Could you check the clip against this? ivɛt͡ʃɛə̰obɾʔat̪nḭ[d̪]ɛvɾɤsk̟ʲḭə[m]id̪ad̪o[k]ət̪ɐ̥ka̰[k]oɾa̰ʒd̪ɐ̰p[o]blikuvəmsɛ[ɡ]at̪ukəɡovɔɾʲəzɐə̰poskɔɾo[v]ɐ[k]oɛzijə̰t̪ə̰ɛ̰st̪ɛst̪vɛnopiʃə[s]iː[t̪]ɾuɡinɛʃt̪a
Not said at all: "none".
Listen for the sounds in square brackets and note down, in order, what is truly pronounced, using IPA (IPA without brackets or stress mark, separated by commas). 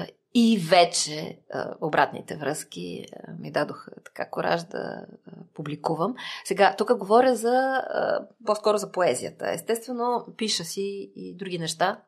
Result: t̪, m, x, k, u, ɡ, z, p, s, d̪